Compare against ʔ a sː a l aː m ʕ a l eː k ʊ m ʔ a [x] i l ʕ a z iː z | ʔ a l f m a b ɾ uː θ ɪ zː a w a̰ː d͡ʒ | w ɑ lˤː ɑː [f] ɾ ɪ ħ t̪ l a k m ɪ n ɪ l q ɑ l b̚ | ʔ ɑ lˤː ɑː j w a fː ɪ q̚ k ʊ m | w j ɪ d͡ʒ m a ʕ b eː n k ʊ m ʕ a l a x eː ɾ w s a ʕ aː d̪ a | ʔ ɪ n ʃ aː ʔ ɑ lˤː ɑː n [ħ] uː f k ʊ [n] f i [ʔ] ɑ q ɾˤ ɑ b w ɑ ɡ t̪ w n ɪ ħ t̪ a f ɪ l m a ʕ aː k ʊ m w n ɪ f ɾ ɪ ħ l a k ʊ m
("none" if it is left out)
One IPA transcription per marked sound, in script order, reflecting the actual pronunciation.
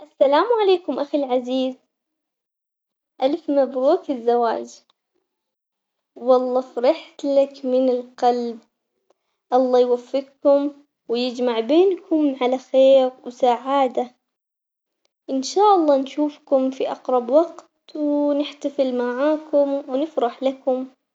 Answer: x, f, ʃ, m, ʔ

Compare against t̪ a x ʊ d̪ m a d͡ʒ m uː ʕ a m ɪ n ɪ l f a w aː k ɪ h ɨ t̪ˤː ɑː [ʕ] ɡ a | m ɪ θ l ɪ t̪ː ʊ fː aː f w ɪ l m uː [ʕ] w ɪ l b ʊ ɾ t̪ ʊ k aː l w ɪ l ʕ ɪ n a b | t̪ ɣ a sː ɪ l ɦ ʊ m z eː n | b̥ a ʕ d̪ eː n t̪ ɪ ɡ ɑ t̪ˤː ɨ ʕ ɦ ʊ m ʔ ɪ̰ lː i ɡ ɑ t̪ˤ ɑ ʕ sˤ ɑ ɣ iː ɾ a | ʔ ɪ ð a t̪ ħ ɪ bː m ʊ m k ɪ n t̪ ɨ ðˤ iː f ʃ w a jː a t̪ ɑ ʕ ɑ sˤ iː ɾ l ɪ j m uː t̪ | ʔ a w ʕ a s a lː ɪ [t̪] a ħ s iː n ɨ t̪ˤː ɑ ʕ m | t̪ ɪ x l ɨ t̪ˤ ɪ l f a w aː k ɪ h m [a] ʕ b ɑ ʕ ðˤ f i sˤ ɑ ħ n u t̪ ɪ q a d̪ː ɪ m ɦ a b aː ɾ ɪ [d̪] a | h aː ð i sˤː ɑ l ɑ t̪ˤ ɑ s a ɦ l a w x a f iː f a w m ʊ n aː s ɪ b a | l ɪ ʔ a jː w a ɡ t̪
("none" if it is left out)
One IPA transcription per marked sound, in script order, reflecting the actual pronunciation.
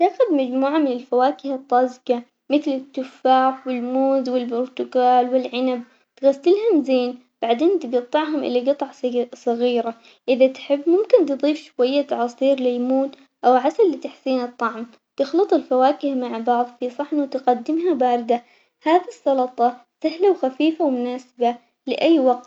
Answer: z, z, t̪, a, d̪

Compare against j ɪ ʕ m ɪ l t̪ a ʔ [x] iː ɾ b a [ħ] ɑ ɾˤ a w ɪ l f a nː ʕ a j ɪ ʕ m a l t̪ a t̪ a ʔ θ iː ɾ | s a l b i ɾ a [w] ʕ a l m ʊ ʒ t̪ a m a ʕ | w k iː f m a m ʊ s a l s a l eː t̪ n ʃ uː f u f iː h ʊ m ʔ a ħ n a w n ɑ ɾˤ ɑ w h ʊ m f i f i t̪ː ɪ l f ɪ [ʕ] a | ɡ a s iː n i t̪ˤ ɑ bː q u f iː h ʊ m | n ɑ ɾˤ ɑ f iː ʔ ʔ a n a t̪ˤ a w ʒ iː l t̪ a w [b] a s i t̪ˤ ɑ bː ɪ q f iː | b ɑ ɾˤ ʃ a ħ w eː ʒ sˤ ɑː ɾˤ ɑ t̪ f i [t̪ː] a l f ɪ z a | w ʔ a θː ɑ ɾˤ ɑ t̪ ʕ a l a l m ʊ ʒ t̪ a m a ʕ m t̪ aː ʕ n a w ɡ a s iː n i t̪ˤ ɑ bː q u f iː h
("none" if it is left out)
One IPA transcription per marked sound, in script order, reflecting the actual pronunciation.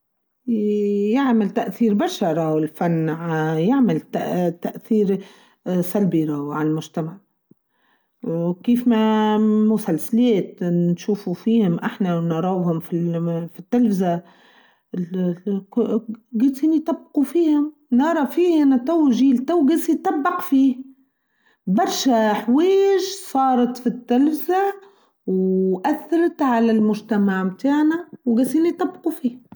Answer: θ, ʃ, w, z, ɡ, t̪ː

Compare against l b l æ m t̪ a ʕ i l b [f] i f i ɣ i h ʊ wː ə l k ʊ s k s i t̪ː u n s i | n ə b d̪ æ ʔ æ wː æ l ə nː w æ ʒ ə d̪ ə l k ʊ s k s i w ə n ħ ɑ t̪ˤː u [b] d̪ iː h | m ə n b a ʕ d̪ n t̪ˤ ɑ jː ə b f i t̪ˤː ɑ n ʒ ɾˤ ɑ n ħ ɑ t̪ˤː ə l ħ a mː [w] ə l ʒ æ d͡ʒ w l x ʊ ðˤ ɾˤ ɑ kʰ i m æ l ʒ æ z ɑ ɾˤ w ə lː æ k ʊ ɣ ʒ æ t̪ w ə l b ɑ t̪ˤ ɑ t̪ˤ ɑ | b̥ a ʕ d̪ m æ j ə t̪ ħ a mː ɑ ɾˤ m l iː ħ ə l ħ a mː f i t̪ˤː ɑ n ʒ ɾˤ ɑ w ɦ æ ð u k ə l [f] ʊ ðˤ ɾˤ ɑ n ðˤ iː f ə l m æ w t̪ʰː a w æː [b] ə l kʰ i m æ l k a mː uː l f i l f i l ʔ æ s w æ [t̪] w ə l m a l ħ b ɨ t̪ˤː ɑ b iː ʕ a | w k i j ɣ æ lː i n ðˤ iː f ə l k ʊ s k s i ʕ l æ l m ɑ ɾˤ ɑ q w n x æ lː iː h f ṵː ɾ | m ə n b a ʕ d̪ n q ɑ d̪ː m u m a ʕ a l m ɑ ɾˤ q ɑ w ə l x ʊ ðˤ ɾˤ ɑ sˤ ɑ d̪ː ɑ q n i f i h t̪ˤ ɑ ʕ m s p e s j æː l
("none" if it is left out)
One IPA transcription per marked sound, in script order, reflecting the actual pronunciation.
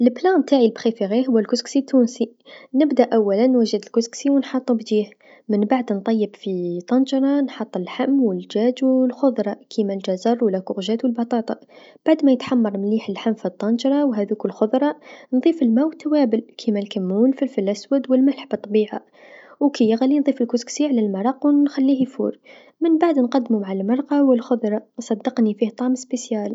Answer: x, b, w, x, b, d̪

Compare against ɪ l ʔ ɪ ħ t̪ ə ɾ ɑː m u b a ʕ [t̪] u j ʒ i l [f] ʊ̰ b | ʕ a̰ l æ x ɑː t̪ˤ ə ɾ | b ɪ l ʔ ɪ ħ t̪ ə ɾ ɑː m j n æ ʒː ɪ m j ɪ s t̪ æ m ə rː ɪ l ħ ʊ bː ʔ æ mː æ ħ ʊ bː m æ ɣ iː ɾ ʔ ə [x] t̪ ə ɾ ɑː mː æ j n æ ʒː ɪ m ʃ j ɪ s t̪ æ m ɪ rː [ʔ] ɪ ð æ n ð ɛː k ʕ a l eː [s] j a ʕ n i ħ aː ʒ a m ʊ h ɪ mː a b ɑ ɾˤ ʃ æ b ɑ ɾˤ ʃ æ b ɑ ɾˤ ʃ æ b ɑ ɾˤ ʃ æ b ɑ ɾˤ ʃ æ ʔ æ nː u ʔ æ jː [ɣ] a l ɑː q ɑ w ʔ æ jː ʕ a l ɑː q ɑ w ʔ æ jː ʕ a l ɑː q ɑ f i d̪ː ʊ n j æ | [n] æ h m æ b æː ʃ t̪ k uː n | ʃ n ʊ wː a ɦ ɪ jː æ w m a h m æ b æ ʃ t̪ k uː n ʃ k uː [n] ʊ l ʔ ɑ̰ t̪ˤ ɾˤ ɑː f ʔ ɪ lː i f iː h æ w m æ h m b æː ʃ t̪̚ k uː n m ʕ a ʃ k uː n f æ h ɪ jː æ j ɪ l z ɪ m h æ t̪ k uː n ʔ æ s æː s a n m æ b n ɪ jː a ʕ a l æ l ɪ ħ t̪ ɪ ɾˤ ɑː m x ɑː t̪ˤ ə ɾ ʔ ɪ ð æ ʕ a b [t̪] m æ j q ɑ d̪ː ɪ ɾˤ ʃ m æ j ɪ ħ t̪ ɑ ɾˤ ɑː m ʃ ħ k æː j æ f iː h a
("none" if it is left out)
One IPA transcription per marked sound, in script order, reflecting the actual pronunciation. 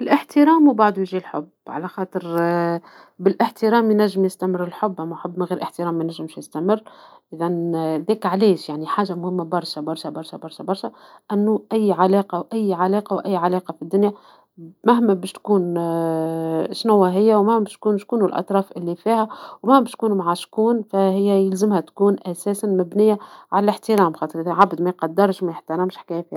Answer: d̪, ħ, ħ, ʔ, ʃ, ʕ, m, n, d̪

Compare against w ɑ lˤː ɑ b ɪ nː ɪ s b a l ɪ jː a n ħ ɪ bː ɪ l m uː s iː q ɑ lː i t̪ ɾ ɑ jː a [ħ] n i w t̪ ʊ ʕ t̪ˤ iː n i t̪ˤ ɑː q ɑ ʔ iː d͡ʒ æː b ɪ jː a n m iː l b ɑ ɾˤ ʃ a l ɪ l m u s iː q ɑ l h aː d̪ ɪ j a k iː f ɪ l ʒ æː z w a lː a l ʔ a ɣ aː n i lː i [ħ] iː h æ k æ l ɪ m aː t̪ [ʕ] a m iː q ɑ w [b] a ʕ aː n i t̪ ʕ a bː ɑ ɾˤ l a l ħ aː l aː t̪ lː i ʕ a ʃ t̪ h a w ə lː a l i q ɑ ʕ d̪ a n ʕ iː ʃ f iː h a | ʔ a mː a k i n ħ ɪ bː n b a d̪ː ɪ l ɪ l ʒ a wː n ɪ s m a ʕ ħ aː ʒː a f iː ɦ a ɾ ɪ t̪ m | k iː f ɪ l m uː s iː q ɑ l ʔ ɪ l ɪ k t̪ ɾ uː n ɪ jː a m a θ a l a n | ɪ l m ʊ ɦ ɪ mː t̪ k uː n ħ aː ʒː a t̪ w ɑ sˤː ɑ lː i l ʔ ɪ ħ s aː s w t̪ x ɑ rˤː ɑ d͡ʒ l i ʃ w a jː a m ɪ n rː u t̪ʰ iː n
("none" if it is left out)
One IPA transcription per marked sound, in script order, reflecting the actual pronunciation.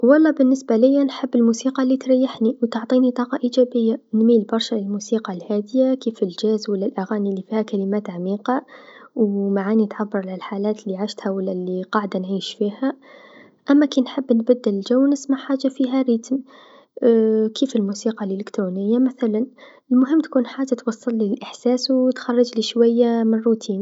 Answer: ħ, f, ʕ, m

